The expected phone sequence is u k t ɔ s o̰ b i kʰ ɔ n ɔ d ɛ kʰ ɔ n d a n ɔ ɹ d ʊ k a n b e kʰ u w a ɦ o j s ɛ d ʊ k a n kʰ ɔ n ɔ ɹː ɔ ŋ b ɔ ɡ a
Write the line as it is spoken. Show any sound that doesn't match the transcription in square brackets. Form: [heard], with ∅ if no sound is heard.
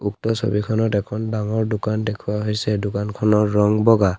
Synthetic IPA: u k t ɔ s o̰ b i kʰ ɔ n ɔ [t] ɛ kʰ ɔ n d a [ŋ] ɔ ɹ d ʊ k a n [d] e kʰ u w a ɦ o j s ɛ d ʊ k a n kʰ ɔ n ɔ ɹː ɔ ŋ b ɔ ɡ a